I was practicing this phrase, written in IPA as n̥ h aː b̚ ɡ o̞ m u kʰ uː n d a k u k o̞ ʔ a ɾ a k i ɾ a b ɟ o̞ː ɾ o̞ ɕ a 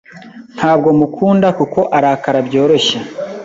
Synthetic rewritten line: n̥ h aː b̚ ɡ o̞ m u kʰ uː n d a k u k o̞ ʔ a ɾ a k a ɾ a b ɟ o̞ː ɾ o̞ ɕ a